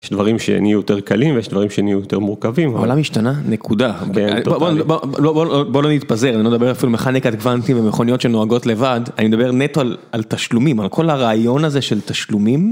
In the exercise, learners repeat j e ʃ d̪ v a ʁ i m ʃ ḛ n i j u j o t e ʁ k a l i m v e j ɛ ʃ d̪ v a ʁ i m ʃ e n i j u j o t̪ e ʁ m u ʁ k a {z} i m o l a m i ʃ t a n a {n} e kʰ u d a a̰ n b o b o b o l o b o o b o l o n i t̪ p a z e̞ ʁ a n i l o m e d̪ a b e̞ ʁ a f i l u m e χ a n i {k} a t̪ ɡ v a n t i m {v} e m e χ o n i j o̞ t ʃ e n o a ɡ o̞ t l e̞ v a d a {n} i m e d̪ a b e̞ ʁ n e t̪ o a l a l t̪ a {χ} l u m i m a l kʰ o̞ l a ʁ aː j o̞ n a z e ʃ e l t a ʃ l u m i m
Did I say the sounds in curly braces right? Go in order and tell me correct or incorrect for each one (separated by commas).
incorrect, correct, correct, correct, correct, incorrect